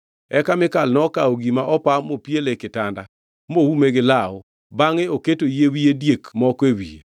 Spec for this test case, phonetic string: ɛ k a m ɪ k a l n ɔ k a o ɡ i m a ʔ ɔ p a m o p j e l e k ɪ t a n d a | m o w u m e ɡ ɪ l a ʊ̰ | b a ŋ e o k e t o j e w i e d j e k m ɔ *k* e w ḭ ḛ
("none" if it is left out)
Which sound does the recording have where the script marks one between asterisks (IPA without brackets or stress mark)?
k